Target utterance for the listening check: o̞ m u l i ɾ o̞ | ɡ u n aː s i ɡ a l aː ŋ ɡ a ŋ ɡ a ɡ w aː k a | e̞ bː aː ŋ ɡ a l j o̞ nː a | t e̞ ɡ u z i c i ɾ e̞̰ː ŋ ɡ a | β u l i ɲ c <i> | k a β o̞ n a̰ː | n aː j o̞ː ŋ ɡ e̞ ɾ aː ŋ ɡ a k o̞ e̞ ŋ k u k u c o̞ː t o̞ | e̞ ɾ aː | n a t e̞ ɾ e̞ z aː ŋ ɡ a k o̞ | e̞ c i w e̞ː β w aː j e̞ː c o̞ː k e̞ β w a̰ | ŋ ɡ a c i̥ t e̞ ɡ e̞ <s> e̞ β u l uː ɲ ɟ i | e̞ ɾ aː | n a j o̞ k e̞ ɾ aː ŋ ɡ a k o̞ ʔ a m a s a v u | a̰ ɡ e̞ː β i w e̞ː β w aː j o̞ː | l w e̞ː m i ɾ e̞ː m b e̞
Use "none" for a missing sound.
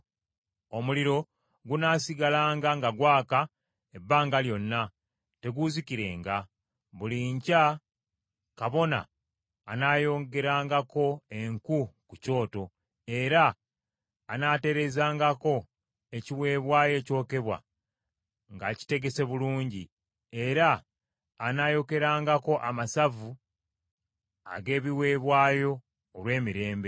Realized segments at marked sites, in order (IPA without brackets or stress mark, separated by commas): a, s